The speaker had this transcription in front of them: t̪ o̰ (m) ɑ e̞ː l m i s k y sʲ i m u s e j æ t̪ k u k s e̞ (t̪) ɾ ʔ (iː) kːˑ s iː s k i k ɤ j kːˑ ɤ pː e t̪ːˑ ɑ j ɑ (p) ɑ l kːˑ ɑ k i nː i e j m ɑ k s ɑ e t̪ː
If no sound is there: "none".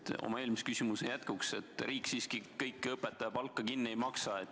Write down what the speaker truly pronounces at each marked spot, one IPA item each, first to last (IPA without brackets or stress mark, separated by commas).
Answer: m, t̪, iː, p